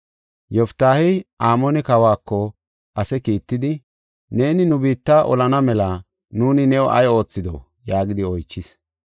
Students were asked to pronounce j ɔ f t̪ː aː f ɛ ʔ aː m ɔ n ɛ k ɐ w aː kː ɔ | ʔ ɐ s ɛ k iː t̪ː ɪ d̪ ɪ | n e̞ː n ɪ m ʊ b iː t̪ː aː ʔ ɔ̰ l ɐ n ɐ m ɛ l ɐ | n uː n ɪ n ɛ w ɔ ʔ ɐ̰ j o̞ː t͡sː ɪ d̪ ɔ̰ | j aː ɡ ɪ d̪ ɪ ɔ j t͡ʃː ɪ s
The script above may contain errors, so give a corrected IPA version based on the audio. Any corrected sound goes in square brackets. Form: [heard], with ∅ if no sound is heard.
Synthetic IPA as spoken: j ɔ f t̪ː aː [h] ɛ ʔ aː m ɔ n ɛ k ɐ w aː kː ɔ | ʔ ɐ s ɛ k iː t̪ː ɪ d̪ ɪ | n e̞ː n ɪ [n] ʊ b iː t̪ː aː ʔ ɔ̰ l ɐ n ɐ m ɛ l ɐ | n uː n ɪ n ɛ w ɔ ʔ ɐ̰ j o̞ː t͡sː ɪ d̪ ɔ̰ | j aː ɡ ɪ d̪ ɪ ɔ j t͡ʃː ɪ s